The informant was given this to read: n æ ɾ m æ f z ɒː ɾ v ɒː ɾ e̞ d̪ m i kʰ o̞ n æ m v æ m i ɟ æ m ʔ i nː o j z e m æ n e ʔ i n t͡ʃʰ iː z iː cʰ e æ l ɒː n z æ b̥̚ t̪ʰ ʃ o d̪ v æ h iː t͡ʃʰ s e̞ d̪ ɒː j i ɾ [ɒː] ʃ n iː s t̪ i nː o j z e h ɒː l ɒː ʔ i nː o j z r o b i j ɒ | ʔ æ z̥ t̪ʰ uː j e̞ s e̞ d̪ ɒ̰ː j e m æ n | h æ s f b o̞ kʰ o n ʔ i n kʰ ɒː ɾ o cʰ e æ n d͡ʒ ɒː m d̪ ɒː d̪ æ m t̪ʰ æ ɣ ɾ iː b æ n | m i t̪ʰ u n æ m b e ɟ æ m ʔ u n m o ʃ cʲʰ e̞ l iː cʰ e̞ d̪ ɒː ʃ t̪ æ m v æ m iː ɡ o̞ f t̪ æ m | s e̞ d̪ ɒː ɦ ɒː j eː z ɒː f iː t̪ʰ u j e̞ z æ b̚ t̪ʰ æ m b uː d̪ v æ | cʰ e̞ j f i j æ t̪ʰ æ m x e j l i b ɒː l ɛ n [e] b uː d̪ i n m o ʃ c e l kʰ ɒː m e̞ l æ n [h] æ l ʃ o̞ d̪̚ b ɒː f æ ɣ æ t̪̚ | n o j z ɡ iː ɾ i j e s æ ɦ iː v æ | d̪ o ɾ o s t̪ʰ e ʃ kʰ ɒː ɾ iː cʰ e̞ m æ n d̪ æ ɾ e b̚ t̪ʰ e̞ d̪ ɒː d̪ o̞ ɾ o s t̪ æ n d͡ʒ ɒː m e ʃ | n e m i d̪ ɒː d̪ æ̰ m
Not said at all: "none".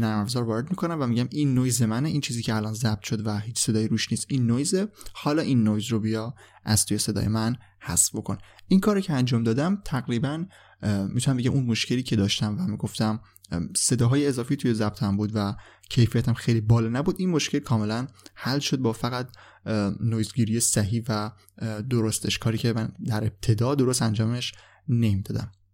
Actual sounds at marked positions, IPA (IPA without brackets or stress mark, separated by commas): uː, æ, h